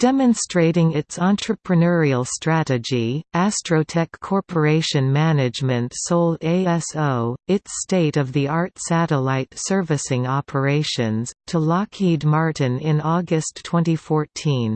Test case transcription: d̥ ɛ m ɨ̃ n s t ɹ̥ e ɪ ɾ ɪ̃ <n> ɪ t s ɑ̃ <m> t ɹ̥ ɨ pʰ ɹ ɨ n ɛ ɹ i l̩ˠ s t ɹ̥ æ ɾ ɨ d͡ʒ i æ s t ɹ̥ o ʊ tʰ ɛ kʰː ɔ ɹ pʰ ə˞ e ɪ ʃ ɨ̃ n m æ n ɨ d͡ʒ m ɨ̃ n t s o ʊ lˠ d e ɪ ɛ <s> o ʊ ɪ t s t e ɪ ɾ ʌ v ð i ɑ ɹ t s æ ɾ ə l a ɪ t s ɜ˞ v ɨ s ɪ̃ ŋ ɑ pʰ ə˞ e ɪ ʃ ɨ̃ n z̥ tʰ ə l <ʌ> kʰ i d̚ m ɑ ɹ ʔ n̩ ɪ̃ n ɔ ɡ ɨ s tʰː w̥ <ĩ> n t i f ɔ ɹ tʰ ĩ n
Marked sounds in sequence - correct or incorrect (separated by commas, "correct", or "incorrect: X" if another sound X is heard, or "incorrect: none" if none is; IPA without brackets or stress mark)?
incorrect: ŋ, incorrect: n, correct, incorrect: ɑ, incorrect: ɛ̃